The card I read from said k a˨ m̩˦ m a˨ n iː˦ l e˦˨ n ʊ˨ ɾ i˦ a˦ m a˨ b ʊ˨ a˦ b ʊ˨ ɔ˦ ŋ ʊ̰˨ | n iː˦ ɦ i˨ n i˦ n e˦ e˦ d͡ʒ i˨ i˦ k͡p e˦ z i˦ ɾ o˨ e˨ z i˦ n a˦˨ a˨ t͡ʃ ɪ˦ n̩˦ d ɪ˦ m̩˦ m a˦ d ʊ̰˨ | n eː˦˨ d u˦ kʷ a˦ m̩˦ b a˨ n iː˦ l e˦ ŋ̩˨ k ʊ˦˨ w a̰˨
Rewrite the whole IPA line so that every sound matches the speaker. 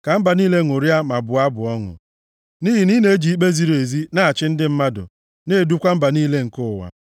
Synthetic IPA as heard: k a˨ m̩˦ b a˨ n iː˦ l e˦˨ ŋ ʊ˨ ɾ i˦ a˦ m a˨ b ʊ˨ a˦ b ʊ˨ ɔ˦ ŋ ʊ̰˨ | n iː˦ ɦ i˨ n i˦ n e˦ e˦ d͡ʒ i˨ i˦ k͡p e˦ z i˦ ɾ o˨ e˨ z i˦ n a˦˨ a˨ t͡ʃ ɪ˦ n̩˦ d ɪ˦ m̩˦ m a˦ d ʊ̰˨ | n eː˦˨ d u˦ kʷ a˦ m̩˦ b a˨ n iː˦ l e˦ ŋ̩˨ k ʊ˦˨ w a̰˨